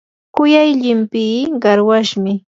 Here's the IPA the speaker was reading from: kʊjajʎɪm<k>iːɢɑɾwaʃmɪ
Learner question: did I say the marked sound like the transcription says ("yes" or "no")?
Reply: no